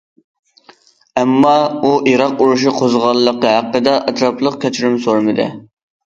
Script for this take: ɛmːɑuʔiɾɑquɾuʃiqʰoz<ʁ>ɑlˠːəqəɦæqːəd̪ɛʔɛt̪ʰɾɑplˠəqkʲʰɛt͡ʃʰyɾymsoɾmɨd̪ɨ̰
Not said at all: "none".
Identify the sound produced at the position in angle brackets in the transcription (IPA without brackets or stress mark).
ʁ